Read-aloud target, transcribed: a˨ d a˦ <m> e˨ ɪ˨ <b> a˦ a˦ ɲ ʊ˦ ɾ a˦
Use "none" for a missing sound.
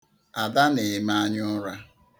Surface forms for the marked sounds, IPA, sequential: n, m

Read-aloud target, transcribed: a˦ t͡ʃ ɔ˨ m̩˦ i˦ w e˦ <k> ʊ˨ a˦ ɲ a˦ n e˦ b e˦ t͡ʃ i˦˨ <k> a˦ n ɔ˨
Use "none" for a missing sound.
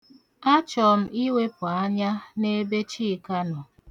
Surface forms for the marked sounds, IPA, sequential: p, k

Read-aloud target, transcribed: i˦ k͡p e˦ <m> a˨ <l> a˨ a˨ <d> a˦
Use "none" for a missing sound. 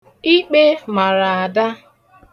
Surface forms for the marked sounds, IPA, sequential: m, ɾ, d

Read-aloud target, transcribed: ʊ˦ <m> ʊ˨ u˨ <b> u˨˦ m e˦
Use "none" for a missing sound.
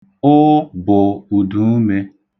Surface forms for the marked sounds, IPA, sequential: b, d

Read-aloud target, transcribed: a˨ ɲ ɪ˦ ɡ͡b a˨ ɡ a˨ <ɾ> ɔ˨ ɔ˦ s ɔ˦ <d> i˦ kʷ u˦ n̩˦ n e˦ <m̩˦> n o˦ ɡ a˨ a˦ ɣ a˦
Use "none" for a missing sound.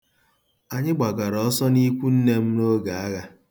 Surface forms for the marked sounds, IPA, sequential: ɾ, n, m̩˦

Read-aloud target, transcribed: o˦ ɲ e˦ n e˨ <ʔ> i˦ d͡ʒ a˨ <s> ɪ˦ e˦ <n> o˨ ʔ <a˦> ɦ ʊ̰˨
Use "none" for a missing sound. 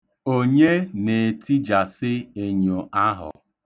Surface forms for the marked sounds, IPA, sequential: t, s, ɲ, a˦

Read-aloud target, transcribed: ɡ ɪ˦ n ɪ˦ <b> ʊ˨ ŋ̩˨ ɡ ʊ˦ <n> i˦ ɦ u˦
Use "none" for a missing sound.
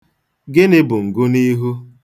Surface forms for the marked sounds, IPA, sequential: b, n

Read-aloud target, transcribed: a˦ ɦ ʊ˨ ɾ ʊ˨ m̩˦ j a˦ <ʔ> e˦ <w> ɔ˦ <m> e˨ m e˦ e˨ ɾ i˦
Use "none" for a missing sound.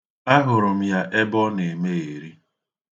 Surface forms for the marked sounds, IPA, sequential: ʔ, b, n

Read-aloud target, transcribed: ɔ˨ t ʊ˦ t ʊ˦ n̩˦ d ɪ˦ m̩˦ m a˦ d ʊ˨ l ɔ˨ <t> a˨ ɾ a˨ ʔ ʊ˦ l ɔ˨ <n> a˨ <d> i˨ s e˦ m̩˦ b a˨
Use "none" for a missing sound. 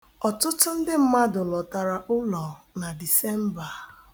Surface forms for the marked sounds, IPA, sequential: t, n, d

